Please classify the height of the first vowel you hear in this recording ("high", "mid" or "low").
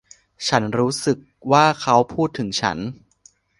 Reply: low